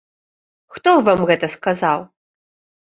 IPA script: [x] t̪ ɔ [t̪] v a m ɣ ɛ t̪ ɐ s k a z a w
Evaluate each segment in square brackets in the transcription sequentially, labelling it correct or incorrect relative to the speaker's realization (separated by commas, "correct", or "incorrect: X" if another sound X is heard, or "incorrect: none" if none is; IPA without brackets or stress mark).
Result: correct, incorrect: none